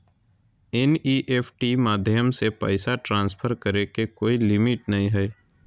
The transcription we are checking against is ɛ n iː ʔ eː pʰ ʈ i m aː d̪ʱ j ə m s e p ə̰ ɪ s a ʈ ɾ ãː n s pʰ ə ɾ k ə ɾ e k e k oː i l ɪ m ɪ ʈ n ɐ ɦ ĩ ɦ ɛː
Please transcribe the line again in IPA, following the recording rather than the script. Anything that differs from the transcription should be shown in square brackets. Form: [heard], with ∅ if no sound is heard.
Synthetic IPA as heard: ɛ n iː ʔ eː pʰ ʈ i m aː d̪ʱ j ə m s e p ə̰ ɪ s a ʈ ɾ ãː n s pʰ ə ɾ k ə ɾ e k e k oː i l ɪ m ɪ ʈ n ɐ ɦ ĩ ɦ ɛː